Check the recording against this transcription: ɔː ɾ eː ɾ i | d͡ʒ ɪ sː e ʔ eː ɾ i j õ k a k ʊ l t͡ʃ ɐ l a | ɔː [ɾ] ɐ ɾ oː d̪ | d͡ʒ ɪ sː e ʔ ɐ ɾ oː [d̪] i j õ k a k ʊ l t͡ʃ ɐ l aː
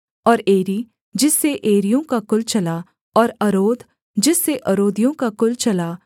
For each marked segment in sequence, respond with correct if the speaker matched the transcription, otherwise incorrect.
correct, correct

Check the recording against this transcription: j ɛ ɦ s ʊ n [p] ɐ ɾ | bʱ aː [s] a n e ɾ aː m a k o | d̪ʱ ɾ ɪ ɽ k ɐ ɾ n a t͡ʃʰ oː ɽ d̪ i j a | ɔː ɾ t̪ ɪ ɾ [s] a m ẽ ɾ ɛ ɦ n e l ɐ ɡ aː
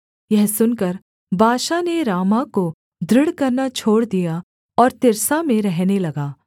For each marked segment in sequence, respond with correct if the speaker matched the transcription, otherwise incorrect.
incorrect: k, incorrect: ʃ, correct

